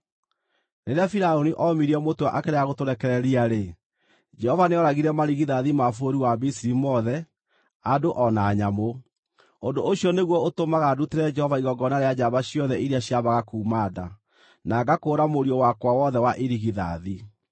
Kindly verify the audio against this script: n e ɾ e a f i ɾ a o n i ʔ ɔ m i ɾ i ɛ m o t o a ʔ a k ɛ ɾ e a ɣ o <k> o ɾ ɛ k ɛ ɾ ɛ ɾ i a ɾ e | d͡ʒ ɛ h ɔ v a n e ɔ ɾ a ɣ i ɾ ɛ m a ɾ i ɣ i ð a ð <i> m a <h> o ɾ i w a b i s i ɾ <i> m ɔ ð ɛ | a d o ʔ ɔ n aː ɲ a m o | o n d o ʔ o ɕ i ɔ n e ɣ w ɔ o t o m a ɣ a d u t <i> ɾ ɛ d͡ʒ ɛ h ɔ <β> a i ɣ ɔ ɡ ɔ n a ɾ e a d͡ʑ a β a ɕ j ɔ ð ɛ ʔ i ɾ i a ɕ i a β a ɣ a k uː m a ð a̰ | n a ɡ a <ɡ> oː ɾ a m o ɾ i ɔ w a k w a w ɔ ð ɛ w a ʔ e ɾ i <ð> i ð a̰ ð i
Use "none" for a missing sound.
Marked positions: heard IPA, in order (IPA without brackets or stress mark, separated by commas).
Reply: t, i, f, i, e, v, k, ɣ